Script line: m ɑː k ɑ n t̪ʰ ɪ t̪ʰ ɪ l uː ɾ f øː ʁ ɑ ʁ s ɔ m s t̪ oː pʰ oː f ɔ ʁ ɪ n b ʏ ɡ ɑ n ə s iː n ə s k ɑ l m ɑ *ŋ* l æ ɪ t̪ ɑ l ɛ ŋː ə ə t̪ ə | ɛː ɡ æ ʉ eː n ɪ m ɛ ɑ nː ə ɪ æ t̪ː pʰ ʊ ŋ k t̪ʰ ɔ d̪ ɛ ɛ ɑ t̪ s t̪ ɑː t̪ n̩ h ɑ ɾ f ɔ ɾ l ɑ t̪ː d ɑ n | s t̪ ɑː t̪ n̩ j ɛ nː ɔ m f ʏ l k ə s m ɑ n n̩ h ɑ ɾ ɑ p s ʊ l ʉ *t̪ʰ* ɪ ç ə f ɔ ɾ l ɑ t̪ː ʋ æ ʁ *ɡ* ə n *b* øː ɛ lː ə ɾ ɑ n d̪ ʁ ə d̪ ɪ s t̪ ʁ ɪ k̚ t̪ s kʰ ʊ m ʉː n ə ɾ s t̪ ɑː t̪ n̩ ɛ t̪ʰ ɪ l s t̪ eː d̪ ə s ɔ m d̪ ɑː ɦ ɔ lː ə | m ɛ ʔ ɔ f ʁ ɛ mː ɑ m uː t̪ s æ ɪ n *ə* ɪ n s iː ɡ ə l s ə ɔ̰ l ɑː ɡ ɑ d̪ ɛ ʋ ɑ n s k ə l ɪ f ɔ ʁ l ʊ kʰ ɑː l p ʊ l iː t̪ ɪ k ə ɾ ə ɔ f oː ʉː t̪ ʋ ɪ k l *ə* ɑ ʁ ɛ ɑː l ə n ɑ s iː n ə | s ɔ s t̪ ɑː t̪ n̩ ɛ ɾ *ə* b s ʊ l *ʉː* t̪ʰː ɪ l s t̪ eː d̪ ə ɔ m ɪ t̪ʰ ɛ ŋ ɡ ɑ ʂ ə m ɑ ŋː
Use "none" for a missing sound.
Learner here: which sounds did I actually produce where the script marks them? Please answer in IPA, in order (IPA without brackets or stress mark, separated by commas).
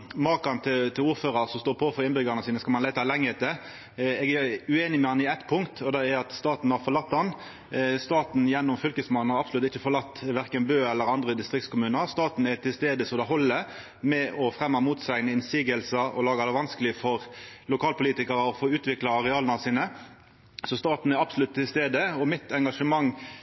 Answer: n, t̪, k, b, ə, ɑ, ɑ, ʉ